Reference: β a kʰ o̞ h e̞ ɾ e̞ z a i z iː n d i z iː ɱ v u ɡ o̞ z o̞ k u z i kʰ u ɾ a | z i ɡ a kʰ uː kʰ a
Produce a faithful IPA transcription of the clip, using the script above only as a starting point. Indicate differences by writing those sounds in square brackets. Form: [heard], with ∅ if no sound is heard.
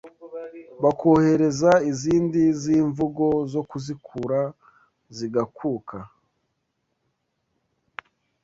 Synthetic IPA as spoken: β a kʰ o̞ h e̞ ɾ e̞ z a i z iː n d i z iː ɱ v u ɡ o̞ z o̞ k u z i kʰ u ɾ a | z i ɡ a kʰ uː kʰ a